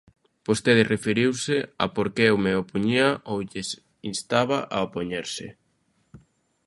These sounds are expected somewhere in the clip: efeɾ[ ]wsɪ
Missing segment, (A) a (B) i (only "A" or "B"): B